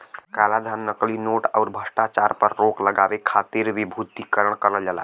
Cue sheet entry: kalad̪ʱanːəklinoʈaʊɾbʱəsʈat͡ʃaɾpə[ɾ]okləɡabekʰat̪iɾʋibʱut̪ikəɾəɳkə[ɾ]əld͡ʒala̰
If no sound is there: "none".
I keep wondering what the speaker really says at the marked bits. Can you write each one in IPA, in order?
ɾː, ɾ

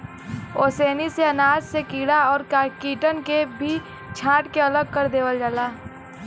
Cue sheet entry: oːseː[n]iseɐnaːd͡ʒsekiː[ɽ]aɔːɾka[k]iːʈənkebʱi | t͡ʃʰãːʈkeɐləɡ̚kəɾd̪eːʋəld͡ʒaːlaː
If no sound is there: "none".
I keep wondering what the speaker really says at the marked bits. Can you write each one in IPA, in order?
n, ɽ, k

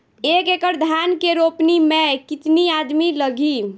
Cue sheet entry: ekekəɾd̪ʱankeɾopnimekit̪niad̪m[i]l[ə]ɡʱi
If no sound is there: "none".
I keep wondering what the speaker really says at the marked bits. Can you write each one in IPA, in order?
i, ə

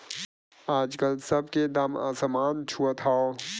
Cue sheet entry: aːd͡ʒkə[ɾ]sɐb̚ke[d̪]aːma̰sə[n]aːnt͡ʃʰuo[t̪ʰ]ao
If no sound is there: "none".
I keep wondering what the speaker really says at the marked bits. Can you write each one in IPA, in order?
l, d̪, m, t̪ʰ

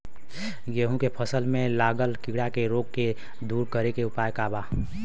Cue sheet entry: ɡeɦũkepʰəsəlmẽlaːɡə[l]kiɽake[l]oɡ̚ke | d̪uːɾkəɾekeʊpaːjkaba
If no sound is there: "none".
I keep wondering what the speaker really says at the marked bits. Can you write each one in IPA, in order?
l, ɾ

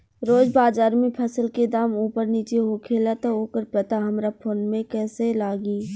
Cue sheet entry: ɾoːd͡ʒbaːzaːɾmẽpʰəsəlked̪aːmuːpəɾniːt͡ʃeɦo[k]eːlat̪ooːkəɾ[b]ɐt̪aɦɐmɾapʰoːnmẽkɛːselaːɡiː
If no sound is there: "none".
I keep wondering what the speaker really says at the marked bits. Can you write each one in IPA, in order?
kʰ, p

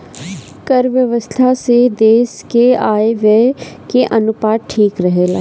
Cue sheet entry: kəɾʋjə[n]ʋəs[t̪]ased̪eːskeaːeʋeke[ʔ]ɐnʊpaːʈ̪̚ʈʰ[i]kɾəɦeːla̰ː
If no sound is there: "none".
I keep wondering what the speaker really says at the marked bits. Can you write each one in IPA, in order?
none, t̪ʰ, ʔ, iː

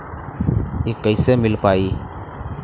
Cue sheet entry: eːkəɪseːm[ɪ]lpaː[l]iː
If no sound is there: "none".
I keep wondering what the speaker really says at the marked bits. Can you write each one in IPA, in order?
ɪ, none

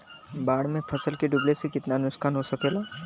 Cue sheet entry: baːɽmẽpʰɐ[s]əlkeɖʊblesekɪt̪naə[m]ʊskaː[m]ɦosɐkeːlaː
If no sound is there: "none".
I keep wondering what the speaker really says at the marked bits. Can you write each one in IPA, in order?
s, n, n

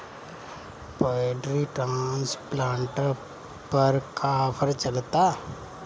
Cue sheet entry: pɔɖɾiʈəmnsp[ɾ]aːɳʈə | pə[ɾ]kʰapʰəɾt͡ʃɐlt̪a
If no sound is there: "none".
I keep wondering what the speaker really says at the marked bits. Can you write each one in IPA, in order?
l, ɾ

